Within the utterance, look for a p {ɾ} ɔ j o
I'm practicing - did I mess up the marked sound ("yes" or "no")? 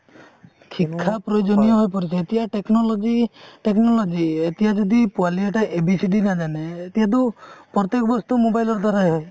no